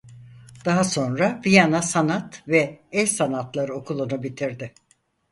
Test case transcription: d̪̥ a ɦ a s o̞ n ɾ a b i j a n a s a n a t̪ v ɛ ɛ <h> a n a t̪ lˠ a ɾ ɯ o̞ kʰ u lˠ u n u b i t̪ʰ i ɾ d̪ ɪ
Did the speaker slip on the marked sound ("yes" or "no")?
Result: yes